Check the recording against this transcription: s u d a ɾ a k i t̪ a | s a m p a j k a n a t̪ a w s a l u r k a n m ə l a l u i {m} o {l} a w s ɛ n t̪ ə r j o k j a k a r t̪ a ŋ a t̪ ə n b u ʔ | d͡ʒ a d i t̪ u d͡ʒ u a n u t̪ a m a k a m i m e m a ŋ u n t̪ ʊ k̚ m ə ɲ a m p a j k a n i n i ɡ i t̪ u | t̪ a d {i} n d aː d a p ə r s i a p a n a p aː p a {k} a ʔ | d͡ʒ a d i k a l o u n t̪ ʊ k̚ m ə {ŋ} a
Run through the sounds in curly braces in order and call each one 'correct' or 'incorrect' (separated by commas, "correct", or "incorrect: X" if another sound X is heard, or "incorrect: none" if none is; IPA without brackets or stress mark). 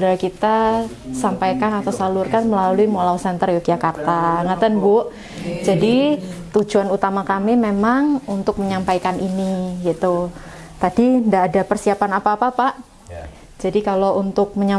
correct, correct, correct, incorrect: p, incorrect: ɲ